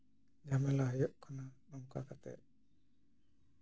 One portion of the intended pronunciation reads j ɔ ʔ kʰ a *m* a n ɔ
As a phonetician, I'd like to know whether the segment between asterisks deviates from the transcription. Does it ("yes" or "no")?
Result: yes